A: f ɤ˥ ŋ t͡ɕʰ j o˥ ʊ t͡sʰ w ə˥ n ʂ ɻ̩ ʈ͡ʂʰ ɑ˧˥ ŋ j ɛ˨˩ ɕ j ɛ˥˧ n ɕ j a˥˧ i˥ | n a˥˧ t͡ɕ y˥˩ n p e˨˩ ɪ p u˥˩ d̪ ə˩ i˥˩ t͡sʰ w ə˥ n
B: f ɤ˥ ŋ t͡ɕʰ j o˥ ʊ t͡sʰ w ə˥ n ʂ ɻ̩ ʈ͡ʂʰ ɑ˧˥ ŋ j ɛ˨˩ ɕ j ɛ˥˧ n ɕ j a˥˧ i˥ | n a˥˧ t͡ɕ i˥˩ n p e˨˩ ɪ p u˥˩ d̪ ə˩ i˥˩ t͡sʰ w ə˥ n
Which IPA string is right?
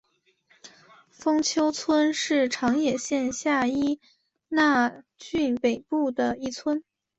A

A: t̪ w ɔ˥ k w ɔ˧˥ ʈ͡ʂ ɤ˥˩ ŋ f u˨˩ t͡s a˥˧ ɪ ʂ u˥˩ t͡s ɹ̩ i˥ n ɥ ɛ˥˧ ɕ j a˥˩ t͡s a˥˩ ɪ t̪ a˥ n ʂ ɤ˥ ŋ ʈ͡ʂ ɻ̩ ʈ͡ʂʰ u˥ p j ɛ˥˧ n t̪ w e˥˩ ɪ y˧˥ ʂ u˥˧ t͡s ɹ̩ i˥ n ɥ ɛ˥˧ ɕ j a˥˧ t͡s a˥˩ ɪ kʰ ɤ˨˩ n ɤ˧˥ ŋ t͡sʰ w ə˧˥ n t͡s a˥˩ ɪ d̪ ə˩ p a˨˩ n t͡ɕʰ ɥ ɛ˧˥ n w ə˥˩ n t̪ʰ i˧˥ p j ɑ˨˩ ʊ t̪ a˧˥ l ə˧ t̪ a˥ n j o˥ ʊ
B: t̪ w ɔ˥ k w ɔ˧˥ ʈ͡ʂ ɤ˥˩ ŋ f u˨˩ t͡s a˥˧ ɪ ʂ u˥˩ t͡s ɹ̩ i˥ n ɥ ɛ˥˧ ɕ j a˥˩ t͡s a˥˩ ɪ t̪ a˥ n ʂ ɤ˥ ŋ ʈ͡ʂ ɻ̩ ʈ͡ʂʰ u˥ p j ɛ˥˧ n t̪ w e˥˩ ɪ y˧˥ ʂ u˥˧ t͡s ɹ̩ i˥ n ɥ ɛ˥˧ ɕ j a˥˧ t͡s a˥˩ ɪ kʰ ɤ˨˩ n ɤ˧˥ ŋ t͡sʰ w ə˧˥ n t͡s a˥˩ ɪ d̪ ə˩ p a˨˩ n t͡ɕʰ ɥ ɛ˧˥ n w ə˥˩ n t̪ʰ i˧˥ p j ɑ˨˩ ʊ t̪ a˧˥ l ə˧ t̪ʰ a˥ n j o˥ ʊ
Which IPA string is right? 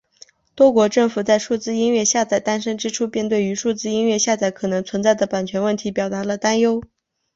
A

